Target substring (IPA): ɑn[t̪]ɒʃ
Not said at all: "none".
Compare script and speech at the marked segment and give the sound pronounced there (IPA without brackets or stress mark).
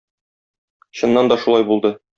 d̪